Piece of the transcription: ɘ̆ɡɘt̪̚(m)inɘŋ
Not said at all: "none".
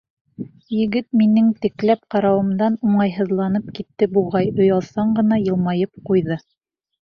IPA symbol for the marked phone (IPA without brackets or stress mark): m